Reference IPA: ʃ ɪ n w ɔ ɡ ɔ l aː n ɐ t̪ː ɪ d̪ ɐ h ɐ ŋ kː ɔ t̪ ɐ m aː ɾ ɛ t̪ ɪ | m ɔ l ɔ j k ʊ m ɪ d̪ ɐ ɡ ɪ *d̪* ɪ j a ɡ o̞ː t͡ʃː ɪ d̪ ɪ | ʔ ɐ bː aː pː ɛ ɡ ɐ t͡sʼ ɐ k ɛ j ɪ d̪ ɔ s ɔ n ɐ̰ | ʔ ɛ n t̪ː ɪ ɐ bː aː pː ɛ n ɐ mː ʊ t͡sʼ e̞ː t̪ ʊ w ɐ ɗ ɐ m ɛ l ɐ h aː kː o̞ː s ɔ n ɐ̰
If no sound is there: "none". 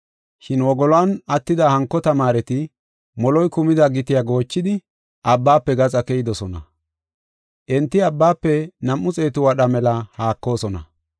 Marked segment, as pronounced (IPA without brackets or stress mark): t̪